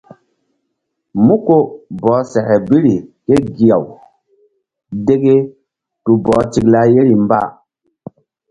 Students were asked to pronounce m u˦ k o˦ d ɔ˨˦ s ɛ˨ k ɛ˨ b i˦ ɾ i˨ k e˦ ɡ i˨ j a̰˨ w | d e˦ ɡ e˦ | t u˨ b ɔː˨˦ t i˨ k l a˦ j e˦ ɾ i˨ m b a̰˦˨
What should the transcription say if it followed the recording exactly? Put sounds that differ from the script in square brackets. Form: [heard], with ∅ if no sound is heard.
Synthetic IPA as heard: m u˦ k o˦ [b] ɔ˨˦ s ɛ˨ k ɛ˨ b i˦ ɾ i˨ k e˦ ɡ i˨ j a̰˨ w | d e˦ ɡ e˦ | t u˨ b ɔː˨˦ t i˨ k l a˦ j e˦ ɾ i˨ m b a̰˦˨